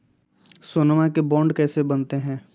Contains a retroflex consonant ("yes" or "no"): yes